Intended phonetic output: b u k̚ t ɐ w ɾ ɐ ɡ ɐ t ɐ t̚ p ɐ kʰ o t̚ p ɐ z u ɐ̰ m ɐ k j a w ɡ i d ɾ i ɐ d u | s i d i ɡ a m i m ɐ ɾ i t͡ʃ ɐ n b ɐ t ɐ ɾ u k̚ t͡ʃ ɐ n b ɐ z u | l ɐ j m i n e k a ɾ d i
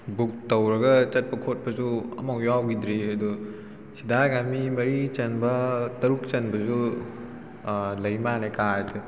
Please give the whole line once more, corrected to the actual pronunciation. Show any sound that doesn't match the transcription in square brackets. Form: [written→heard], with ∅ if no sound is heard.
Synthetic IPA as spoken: b u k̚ t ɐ w ɾ ɐ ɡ ɐ [t→t͡ʃ] ɐ t̚ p ɐ kʰ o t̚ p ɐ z u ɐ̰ m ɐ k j a w ɡ i d ɾ i ɐ d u | s i d [i→a] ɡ a m i m ɐ ɾ i t͡ʃ ɐ n b ɐ t ɐ ɾ u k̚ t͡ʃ ɐ n b ɐ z u | l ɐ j m [i→a] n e k a ɾ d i